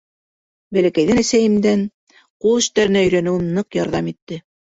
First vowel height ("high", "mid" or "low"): low